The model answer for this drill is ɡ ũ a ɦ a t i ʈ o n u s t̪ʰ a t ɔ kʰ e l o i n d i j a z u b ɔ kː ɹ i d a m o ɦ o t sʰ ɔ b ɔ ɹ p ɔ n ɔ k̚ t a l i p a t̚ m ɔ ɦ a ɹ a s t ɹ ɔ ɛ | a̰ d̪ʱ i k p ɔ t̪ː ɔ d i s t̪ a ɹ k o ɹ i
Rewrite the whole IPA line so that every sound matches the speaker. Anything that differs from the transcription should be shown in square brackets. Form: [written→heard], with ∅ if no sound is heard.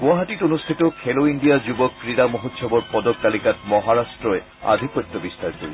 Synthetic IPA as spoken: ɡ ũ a ɦ a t i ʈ o n u s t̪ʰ [a→i] t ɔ kʰ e l o i n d i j a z u b ɔ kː ɹ i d a m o ɦ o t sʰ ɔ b ɔ ɹ p ɔ [n→d] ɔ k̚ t a l i [p→k] a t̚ m ɔ ɦ a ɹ a s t ɹ ɔ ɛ | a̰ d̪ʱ i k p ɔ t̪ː ɔ [d→b] i s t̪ a ɹ k o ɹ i